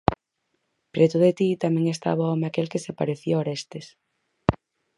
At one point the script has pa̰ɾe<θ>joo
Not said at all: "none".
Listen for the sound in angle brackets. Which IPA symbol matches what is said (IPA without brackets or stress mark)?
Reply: θ